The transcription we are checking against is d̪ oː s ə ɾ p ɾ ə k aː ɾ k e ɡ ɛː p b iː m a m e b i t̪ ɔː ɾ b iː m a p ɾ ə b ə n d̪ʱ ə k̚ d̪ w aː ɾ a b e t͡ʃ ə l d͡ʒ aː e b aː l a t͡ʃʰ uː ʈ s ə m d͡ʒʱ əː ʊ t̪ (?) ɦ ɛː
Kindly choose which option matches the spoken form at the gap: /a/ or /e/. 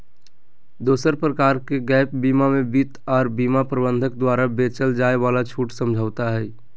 a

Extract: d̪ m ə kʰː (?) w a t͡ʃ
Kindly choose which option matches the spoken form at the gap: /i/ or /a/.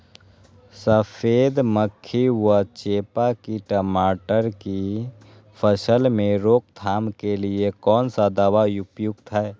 i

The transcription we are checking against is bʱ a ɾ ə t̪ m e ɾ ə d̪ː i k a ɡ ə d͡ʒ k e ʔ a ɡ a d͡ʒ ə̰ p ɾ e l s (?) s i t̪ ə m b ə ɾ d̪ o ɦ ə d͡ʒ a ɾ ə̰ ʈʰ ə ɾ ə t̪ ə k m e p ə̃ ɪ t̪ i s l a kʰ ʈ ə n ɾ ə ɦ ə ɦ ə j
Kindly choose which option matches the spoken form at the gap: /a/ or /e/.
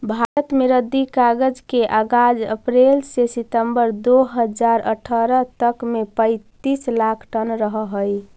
e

